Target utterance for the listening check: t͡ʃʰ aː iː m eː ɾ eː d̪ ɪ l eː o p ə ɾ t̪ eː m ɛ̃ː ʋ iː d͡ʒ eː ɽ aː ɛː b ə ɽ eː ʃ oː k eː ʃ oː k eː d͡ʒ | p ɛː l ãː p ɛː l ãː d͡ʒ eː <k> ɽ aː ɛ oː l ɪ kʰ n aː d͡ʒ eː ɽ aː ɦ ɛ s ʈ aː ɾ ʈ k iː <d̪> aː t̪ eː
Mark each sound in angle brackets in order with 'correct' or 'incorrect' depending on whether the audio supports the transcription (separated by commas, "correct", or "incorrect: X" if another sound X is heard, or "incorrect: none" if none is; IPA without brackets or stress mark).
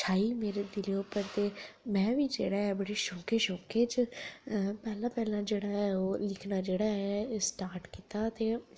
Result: incorrect: none, incorrect: t̪